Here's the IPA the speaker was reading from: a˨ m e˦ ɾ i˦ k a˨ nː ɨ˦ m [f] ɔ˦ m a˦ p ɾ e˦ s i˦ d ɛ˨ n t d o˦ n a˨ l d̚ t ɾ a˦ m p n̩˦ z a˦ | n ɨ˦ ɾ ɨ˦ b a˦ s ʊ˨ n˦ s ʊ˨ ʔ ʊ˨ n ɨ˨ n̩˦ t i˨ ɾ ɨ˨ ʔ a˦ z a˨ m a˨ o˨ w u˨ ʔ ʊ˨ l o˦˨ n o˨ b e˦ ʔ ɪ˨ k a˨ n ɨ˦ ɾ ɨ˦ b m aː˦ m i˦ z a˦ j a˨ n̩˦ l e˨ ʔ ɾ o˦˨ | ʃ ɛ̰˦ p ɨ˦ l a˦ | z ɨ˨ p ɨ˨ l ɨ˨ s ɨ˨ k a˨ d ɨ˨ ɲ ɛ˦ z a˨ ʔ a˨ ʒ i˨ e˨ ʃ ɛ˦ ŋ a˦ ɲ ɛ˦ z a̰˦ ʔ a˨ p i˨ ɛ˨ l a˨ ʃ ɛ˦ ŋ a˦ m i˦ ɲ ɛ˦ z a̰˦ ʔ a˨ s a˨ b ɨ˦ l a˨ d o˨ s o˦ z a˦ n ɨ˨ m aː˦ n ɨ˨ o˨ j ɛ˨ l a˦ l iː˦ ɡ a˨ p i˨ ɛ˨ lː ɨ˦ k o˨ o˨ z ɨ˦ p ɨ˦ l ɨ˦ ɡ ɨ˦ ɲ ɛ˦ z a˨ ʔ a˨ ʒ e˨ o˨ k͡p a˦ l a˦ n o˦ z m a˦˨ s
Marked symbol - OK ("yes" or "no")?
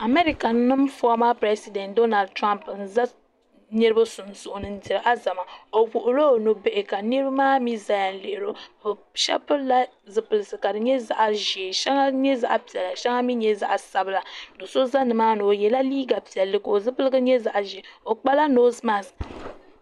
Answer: yes